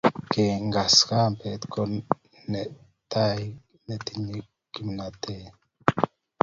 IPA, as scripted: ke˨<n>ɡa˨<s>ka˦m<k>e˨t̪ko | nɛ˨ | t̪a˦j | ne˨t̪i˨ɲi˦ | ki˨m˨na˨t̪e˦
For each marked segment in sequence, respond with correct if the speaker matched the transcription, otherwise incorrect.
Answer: incorrect, correct, incorrect

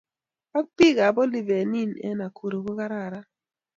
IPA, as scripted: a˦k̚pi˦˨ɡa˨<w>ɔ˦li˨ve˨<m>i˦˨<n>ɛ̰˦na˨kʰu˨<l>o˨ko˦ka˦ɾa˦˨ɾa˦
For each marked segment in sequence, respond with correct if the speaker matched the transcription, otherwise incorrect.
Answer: incorrect, incorrect, correct, incorrect

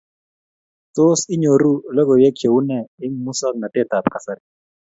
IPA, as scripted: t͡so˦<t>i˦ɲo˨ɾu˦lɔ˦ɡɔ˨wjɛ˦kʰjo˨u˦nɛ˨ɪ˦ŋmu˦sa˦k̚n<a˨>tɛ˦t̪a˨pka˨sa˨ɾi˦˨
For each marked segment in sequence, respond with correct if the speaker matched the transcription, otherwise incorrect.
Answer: incorrect, correct

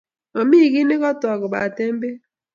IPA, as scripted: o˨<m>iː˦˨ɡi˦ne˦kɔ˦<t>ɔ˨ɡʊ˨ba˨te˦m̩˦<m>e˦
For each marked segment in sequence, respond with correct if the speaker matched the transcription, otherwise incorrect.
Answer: correct, correct, incorrect

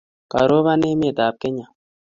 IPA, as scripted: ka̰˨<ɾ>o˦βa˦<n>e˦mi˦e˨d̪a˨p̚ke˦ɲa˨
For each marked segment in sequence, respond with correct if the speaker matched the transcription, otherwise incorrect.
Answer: correct, correct

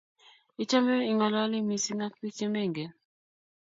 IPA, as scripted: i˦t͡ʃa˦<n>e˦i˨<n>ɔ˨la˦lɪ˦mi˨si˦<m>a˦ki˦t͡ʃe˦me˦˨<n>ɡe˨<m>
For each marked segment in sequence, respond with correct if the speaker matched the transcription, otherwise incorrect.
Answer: incorrect, incorrect, incorrect, incorrect, incorrect

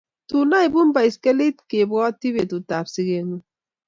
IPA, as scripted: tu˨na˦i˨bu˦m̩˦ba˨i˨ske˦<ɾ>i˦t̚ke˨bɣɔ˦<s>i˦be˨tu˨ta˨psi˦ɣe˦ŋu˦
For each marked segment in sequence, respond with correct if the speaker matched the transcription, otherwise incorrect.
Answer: incorrect, incorrect

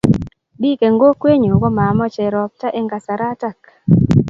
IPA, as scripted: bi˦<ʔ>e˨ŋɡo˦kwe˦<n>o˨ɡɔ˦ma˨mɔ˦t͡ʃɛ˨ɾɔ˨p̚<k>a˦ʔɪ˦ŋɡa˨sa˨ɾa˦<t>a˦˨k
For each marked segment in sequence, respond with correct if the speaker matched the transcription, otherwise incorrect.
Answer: incorrect, incorrect, incorrect, correct

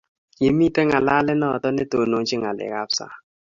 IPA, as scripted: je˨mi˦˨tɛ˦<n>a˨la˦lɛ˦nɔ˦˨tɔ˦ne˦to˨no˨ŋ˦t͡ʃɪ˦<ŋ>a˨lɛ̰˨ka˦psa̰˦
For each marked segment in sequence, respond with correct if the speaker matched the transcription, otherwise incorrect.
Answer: incorrect, correct

